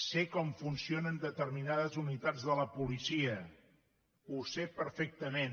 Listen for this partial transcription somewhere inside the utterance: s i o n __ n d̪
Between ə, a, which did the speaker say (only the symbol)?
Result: ə